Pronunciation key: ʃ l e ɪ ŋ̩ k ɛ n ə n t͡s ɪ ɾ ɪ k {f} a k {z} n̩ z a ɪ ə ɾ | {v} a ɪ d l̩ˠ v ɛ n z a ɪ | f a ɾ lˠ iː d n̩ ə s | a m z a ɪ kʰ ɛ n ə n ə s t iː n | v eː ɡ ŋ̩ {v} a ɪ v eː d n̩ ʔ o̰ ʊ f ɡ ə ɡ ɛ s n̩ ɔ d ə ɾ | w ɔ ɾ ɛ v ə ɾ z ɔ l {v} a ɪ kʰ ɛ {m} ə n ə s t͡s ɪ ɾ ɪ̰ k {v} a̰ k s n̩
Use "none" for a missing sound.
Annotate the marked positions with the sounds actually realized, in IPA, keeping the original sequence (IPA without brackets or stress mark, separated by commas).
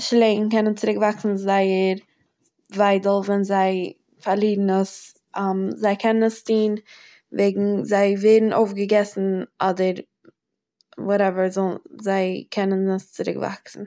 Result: v, s, v, z, z, n, v